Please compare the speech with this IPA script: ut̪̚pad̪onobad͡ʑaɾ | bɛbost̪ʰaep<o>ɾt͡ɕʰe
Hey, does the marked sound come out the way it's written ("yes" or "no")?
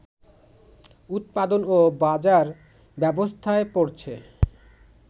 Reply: yes